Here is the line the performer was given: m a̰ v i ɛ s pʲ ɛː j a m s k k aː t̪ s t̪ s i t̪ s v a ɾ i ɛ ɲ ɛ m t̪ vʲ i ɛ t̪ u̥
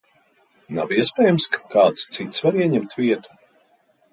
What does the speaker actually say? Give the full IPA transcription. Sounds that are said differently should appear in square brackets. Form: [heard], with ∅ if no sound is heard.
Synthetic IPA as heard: [n] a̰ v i ɛ s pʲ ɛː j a m s k k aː t̪ s t̪ s i t̪ s v a ɾ i ɛ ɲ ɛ m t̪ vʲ i ɛ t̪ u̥

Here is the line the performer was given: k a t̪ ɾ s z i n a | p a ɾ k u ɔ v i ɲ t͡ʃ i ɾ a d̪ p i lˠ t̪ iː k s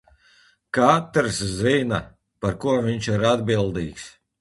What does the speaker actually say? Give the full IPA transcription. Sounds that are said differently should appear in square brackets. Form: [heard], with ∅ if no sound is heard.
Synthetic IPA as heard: k a t̪ ɾ s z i n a | p a ɾ k u ɔ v i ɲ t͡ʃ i ɾ a d̪ [b] i lˠ [d̪] iː k s

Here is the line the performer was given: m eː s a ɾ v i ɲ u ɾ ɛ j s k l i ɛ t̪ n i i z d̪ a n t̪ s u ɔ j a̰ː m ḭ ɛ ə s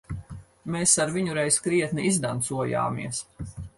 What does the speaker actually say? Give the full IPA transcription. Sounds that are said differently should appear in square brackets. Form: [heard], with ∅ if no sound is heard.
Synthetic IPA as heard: m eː s a ɾ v i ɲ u ɾ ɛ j s k [ɾ] i ɛ t̪ n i i z d̪ a n t̪ s u ɔ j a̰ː m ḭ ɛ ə s

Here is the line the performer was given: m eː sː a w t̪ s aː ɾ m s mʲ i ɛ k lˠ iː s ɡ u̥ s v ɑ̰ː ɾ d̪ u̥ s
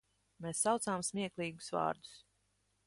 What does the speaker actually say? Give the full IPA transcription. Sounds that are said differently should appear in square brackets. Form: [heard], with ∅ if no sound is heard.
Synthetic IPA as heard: m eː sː a w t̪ s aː [∅] m s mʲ i ɛ k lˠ iː [∅] ɡ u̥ s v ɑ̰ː ɾ d̪ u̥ s

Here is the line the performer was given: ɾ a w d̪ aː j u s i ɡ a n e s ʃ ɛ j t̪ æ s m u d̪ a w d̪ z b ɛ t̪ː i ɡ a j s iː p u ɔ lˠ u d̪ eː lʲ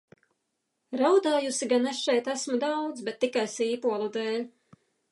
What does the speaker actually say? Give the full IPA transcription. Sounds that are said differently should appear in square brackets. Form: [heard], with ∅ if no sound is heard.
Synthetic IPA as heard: ɾ a w d̪ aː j u s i ɡ a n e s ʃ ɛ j t̪ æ s m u d̪ a w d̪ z b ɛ t̪ː i [k] a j s iː p u ɔ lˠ u d̪ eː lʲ

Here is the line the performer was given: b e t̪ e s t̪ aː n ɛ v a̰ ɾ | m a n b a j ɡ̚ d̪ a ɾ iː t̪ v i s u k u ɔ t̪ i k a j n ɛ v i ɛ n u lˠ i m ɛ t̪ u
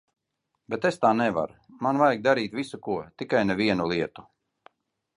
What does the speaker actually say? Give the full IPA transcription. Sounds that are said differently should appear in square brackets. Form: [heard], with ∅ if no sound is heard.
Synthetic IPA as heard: b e t̪ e s t̪ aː n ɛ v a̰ ɾ | m a n [v] a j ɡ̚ d̪ a ɾ iː t̪ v i s u k u ɔ t̪ i k a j n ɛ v i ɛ n u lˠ i [∅] ɛ t̪ u

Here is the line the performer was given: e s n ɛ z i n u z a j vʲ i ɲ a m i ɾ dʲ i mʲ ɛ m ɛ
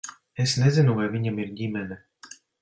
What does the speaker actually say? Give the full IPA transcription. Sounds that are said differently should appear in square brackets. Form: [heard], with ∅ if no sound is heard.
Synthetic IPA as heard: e s n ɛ z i n u [v] a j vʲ i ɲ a m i ɾ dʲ i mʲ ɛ [n] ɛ

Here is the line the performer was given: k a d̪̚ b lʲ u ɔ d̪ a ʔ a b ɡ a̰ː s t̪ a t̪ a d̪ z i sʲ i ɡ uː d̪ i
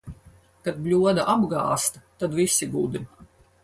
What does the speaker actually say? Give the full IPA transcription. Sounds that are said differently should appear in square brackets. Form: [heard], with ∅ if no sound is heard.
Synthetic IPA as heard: k a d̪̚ b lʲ u ɔ d̪ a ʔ a b ɡ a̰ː s t̪ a t̪ a d̪ [v] i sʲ i ɡ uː d̪ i

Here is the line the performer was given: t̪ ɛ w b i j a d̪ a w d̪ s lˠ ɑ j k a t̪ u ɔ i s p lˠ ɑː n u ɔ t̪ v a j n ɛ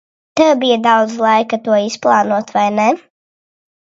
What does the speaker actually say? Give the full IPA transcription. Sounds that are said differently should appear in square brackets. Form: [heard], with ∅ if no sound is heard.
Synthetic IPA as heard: t̪ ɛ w b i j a d̪ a w d̪ [z] lˠ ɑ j k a t̪ u ɔ i s p lˠ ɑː n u ɔ t̪ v a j n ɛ

